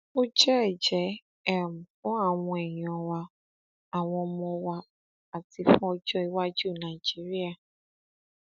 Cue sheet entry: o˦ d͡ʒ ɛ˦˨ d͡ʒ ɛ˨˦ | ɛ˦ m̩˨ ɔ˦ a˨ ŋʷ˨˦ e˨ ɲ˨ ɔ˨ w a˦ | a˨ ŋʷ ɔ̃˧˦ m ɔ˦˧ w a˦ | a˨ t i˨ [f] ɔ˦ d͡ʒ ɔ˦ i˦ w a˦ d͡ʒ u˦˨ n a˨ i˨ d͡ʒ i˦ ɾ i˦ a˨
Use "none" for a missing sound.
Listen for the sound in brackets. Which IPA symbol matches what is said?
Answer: f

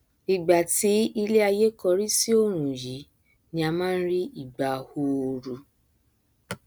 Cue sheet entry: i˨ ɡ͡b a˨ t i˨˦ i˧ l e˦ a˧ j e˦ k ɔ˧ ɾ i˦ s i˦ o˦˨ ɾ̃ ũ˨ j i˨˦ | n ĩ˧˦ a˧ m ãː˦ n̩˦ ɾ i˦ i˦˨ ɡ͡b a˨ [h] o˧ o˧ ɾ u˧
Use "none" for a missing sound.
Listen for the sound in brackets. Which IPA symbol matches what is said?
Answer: h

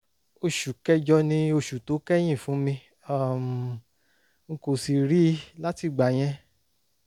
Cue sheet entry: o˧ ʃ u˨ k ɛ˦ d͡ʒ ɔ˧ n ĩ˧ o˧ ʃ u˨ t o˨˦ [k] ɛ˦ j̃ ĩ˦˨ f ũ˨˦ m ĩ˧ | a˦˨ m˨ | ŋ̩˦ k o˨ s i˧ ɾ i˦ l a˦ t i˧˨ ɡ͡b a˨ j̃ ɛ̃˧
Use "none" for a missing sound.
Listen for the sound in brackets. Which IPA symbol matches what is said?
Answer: k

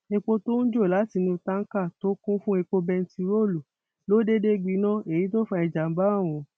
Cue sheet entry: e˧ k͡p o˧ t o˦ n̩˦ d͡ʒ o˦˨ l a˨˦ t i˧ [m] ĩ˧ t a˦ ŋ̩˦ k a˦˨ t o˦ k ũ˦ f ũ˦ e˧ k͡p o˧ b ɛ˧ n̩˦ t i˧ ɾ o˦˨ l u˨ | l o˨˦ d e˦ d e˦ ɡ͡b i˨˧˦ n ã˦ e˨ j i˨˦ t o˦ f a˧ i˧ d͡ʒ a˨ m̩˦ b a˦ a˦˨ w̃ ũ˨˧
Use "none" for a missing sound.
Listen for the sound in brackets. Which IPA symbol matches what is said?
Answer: n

